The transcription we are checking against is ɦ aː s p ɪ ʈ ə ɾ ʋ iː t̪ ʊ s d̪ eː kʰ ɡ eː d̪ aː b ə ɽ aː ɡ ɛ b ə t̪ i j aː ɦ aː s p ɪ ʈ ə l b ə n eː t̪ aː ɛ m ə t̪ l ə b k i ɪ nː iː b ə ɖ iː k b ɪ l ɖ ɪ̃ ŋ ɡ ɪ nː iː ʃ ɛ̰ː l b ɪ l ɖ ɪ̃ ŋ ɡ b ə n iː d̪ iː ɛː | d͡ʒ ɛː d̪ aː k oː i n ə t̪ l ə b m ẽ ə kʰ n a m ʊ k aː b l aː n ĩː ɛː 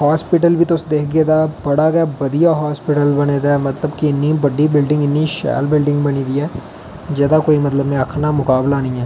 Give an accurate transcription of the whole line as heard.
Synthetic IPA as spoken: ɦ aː s p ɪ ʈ ə l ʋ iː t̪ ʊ s d̪ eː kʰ ɡ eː d̪ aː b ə ɽ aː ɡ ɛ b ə d̪ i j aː ɦ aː s p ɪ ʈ ə l b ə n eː d̪ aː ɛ m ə t̪ l ə b k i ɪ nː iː b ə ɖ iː b ɪ l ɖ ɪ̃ ŋ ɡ ɪ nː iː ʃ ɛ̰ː l b ɪ l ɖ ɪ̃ ŋ ɡ b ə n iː d̪ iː ɛː | d͡ʒ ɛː d̪ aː k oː i m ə t̪ l ə b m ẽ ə kʰ n a m ʊ k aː b l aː n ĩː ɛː